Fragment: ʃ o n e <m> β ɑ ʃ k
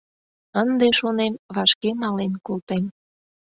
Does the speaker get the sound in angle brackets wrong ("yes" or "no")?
no